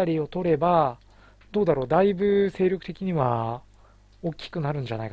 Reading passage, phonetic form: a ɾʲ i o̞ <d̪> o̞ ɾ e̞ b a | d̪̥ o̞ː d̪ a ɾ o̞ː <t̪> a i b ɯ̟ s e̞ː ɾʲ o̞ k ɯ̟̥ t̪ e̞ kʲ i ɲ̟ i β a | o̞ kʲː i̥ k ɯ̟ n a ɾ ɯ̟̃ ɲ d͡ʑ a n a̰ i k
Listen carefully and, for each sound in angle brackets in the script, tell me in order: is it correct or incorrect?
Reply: incorrect: t̪, incorrect: d̪

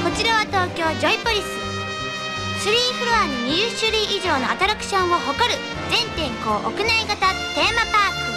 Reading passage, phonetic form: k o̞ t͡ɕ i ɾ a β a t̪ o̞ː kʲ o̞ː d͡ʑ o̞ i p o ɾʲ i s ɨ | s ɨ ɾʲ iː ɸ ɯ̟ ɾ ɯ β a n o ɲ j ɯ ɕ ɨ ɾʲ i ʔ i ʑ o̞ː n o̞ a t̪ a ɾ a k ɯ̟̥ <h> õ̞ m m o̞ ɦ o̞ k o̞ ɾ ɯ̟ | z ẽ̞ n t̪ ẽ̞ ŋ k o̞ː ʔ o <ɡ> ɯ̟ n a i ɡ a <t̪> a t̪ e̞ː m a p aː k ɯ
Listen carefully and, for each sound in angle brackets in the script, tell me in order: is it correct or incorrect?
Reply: incorrect: ɕ, incorrect: k, correct

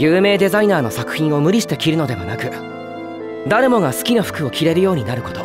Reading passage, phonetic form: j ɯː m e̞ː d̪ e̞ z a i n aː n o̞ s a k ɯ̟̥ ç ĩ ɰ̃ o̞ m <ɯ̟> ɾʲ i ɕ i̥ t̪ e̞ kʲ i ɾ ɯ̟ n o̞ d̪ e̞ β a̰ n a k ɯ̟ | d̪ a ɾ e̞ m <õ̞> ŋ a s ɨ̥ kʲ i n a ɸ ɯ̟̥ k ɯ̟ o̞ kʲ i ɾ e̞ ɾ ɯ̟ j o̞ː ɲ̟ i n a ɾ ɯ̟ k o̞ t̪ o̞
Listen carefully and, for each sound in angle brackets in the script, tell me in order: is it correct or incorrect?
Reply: correct, incorrect: o̞

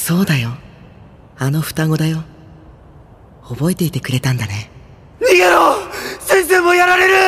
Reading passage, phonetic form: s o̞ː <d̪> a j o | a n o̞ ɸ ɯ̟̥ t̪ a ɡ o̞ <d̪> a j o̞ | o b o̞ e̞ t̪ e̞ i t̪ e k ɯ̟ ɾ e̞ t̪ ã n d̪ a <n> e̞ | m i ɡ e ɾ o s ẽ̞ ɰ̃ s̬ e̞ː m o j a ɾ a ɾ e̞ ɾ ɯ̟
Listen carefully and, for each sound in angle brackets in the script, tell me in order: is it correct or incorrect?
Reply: correct, correct, correct

